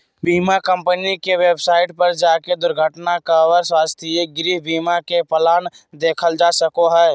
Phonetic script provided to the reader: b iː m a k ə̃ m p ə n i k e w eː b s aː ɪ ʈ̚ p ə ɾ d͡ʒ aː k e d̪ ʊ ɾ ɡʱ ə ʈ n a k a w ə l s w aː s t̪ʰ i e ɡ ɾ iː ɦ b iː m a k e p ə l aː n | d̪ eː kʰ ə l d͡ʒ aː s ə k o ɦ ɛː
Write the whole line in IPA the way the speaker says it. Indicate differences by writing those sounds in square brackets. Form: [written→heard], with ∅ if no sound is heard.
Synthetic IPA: b iː m a k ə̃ m p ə n i k e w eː b s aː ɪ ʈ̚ p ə ɾ d͡ʒ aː k e d̪ ʊ ɾ ɡʱ ə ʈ n a k a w ə [l→ɾ] s w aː s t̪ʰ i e ɡ ɾ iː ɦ b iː m a k e p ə l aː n | d̪ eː kʰ ə l d͡ʒ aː s ə k o ɦ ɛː

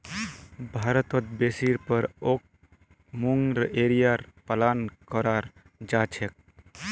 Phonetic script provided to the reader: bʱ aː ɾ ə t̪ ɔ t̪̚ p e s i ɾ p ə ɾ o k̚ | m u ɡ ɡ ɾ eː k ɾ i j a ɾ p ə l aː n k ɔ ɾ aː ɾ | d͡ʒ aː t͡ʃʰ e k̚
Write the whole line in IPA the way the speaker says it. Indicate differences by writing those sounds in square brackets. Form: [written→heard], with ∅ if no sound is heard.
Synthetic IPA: bʱ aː ɾ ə t̪ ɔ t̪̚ [p→b] e s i ɾ p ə ɾ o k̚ | m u [ɡ→ŋ] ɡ ɾ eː [k→∅] ɾ i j a ɾ p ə l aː n k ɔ ɾ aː ɾ | d͡ʒ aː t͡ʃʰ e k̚

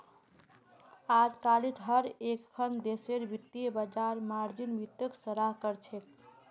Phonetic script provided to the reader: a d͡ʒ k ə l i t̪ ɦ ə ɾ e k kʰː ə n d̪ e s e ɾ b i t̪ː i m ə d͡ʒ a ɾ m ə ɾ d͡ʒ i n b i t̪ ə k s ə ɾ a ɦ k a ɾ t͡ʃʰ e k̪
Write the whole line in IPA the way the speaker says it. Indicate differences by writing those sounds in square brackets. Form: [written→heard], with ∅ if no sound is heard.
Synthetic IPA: a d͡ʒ k [ə→a] l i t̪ ɦ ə ɾ e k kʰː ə n d̪ e s e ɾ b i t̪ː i [m→b] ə d͡ʒ a ɾ m [ə→a] ɾ d͡ʒ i n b i t̪ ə k s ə ɾ a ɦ k [a→ə] ɾ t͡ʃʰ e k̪

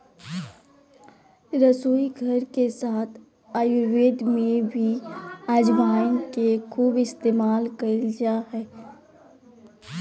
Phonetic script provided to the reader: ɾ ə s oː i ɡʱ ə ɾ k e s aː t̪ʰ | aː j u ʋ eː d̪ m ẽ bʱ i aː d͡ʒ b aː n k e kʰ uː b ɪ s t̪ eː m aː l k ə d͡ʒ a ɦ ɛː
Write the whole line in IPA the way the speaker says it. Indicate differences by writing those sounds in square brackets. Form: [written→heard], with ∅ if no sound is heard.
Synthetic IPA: ɾ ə s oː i ɡʱ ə ɾ k e s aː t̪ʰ | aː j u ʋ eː d̪ m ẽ bʱ i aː d͡ʒ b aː n k e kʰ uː b ɪ s t̪ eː m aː l k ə d͡ʒ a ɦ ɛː

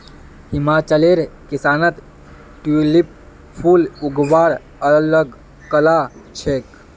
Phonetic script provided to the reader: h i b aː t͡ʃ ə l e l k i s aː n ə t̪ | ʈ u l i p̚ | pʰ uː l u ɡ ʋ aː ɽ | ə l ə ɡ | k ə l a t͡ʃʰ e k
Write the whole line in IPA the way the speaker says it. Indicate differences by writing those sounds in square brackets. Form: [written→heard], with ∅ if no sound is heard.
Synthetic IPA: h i [b→m] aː t͡ʃ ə l e [l→ɾ] k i s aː n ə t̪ | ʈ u l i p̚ | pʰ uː l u ɡ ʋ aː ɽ | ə l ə ɡ | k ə l a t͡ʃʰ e k

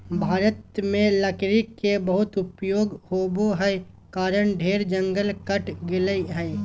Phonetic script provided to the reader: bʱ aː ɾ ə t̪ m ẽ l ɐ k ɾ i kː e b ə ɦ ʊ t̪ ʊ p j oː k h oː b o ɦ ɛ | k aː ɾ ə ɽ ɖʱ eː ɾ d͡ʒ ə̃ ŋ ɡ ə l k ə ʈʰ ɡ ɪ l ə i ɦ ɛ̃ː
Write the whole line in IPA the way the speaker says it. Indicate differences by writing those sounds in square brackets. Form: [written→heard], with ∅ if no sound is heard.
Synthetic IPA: bʱ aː ɾ ə t̪ m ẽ l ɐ k ɾ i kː e b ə ɦ ʊ t̪ ʊ p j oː [k→ɡ] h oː b o ɦ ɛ | k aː ɾ ə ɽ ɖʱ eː ɾ d͡ʒ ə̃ ŋ ɡ ə l k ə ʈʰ ɡ ɪ l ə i ɦ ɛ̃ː

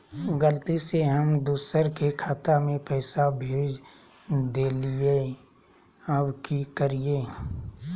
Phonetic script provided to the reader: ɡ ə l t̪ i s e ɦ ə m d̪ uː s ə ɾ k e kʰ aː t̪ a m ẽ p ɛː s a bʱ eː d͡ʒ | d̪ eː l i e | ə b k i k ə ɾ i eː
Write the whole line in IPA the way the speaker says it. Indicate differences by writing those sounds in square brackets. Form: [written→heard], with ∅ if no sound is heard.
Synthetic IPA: ɡ ə l t̪ i s e ɦ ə m d̪ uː s ə ɾ k e kʰ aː t̪ a m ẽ p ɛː s a bʱ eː d͡ʒ | d̪ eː l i e | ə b k i k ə ɾ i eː

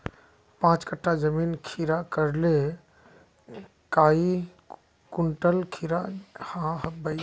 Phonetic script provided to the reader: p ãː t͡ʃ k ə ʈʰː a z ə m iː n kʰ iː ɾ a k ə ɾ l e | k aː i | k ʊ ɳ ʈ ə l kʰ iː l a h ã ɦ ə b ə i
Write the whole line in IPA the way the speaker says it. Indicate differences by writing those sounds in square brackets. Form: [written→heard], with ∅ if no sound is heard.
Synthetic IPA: p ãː t͡ʃ k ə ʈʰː a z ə m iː n kʰ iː ɾ a k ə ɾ l e | k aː i | k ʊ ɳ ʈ ə l kʰ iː [l→ɾ] a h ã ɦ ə b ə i

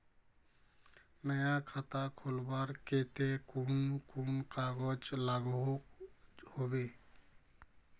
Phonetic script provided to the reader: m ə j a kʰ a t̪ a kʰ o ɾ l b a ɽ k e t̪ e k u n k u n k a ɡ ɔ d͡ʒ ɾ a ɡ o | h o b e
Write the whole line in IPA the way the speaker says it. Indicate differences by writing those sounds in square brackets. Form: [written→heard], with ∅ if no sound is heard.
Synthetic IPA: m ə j a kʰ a t̪ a kʰ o [ɾ→∅] l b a [ɽ→ɾ] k e t̪ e k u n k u n k a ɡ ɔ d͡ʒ [ɾ→l] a ɡ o | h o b e

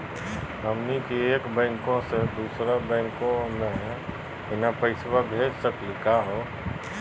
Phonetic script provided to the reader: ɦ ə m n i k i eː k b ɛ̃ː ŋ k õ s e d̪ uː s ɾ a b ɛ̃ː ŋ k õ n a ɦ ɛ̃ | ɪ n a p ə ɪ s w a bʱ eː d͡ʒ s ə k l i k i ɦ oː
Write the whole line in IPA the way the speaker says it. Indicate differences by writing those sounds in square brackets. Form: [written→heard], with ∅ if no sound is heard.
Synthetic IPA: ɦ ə m n i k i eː k b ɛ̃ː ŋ k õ s e d̪ uː s ɾ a b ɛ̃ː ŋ k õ n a ɦ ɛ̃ | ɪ n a p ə ɪ s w a bʱ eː d͡ʒ s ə k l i k [i→a] ɦ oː

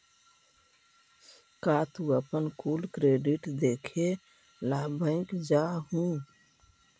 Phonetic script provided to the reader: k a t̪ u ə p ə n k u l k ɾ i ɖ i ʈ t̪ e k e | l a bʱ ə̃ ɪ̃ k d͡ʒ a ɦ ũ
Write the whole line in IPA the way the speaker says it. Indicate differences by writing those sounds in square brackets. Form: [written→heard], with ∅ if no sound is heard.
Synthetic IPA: k a t̪ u ə p ə n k u l k ɾ [i→e] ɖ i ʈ [t̪→d̪] e [k→kʰ] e | l a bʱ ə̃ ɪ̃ k d͡ʒ a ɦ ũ

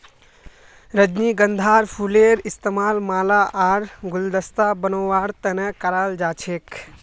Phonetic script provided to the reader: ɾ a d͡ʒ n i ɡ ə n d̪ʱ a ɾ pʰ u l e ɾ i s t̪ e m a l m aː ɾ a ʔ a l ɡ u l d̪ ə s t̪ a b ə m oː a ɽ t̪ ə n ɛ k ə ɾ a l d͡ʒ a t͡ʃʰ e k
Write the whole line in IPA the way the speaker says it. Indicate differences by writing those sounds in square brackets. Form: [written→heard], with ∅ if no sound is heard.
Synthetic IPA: ɾ [a→ə] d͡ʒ n i ɡ ə n d̪ʱ a ɾ pʰ u l e ɾ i s t̪ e m a l m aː [ɾ→l] a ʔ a [l→ɾ] ɡ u l d̪ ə s t̪ a b ə [m→n] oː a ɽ t̪ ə n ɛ k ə ɾ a l d͡ʒ a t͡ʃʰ e k

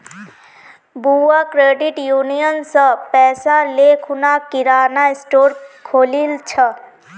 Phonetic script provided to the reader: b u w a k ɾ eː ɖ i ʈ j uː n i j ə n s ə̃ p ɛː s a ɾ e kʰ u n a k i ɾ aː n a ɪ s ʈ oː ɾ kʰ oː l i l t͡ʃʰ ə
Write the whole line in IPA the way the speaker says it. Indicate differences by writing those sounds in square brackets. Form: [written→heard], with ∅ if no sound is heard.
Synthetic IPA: b u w a k ɾ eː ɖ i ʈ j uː n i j ə n s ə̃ p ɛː s a [ɾ→l] e kʰ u n a k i ɾ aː n a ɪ s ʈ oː ɾ kʰ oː l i l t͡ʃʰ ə

